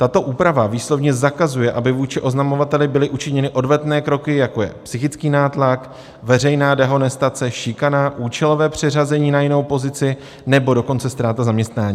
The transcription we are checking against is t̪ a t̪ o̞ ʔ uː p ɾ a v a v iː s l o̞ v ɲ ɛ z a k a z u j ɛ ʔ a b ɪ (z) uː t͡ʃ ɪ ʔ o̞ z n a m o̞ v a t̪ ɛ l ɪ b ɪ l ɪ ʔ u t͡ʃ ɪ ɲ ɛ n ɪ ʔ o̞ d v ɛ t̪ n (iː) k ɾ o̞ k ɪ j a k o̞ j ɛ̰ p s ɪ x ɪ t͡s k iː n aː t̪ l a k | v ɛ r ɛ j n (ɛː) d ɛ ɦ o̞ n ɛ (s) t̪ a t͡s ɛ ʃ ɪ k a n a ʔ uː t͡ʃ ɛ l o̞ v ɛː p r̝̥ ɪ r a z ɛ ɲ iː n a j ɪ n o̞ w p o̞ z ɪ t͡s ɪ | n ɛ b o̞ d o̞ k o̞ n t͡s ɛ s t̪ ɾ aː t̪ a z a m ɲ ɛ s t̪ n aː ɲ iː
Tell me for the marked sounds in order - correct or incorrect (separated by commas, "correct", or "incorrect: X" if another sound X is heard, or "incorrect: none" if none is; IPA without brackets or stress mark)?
incorrect: v, incorrect: ɛː, incorrect: aː, correct